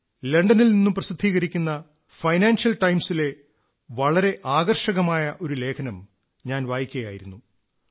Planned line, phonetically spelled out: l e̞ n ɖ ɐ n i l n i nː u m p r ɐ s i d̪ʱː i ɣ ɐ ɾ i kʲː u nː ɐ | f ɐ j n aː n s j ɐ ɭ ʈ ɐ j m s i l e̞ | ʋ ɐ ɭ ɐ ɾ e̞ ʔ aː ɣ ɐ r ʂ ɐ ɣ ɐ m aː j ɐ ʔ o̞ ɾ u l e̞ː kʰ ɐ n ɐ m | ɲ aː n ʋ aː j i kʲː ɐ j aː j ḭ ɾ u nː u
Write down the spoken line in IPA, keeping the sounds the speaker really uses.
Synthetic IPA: l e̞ ɳ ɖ ɐ n i l n i nː u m p r ɐ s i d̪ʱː iː ɣ ɐ ɾ i kʲː u nː ɐ | f ɐ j n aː n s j ɐ l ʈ ɐ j m s i l e̞ | ʋ ɐ ɭ ɐ ɾ e̞ ʔ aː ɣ ɐ r ʂ ɐ ɣ ɐ m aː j ɐ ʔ o̞ ɾ u l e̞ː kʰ ɐ n ɐ m | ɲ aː n ʋ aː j i kʲː ɐ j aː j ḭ ɾ u nː u